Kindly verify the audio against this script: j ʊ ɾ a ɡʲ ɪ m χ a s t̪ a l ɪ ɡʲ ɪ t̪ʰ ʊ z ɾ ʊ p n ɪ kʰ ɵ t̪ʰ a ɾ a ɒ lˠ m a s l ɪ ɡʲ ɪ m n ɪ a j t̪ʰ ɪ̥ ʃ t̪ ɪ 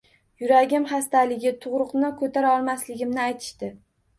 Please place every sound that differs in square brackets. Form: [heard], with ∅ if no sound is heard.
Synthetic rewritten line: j ʊ ɾ a ɡʲ ɪ m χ a s t̪ a l ɪ ɡʲ ɪ t̪ʰ ʊ [ʁ] ɾ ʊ [q] n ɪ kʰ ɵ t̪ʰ a ɾ a ɒ lˠ m a s l ɪ ɡʲ ɪ m n ɪ a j t̪ʰ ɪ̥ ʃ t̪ ɪ